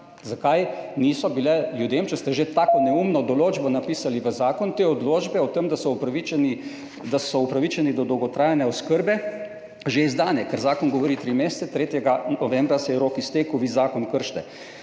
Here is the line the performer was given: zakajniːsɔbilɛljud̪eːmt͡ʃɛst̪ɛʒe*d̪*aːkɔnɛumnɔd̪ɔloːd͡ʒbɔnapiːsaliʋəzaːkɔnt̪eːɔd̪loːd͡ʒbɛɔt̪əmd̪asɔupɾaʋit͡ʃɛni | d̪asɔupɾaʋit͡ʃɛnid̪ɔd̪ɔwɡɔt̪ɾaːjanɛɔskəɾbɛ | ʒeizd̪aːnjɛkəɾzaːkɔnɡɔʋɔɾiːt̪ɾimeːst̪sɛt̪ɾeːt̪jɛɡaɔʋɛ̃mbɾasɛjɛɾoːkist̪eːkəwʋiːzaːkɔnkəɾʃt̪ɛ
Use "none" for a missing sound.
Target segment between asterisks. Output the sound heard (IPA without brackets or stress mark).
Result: t̪